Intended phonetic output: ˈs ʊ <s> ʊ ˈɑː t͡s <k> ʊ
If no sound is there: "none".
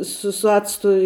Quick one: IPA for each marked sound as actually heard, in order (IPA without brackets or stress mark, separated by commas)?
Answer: s, t